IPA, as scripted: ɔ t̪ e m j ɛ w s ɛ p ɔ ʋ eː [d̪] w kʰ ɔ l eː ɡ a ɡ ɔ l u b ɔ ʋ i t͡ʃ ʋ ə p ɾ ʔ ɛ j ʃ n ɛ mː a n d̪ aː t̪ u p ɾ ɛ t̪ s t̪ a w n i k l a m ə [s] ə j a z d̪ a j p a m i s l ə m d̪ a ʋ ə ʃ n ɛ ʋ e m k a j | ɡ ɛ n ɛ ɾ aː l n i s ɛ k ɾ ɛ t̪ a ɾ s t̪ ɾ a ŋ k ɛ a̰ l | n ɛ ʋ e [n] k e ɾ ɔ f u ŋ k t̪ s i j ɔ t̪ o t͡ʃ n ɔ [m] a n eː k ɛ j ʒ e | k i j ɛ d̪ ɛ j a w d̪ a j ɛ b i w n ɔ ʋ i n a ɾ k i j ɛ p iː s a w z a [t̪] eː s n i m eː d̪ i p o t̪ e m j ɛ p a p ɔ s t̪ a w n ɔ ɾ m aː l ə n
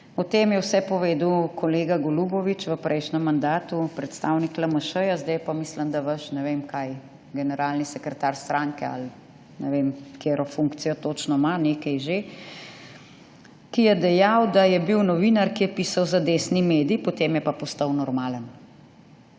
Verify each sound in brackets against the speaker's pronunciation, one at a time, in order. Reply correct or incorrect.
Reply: correct, incorrect: ʃ, incorrect: m, correct, incorrect: d̪

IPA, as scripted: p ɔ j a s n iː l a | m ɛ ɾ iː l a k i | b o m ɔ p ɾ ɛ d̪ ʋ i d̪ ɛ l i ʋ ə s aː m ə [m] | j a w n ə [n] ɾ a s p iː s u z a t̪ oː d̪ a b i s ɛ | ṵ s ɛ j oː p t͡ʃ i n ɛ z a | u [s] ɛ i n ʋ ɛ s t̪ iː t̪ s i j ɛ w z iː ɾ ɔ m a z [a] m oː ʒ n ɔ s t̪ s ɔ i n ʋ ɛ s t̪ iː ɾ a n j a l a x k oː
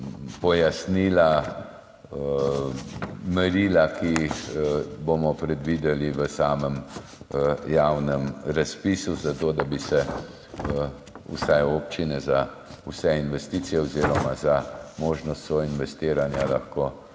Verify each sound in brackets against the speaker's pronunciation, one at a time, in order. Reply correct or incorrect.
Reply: correct, incorrect: m, correct, correct

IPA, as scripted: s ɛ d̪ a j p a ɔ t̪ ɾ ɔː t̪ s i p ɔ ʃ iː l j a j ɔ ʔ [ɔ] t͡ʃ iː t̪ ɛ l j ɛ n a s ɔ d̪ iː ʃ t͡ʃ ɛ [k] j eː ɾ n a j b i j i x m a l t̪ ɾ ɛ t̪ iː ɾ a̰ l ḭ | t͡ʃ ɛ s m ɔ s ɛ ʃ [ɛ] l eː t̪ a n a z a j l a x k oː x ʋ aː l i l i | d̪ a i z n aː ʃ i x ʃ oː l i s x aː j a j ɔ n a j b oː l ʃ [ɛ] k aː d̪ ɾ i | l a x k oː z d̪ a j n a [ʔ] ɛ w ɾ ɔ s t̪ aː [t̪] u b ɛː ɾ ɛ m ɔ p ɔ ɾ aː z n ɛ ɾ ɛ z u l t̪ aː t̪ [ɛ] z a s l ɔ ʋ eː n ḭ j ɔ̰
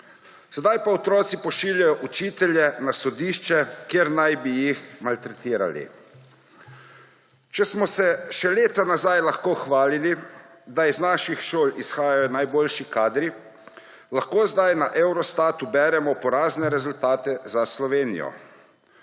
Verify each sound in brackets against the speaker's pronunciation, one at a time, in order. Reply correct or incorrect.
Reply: incorrect: u, correct, correct, incorrect: i, correct, correct, correct

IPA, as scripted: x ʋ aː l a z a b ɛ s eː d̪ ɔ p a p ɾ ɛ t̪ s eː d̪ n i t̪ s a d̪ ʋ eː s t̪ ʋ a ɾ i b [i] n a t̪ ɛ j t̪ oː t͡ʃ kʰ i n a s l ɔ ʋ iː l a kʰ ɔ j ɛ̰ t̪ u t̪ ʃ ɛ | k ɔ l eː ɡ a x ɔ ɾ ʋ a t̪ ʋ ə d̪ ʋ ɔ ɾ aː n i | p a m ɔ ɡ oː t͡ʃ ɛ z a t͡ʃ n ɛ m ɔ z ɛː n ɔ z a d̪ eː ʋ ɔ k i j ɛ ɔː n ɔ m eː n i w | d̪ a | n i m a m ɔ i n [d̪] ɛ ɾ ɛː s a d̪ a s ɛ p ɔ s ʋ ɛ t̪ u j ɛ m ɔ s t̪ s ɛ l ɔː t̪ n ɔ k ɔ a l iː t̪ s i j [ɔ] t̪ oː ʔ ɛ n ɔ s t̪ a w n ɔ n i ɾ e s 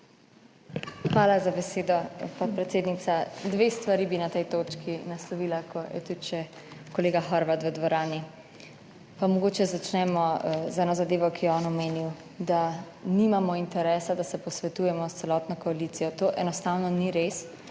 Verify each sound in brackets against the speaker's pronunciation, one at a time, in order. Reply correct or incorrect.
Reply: correct, incorrect: t̪, correct

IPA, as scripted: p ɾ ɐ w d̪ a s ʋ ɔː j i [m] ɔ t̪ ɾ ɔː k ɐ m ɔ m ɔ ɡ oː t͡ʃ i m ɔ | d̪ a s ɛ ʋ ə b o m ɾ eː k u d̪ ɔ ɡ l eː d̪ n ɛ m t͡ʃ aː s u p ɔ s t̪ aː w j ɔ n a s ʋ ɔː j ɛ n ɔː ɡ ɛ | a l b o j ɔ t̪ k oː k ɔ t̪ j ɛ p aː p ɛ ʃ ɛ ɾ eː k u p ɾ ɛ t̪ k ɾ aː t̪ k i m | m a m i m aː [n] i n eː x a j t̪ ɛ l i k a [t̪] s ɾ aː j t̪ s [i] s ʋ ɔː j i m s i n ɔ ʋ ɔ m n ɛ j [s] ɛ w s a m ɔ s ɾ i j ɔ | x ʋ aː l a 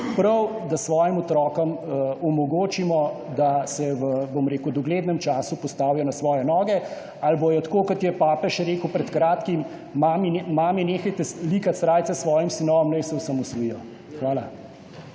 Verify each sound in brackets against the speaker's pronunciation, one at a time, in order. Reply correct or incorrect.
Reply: correct, incorrect: m, correct, incorrect: ɛ, correct

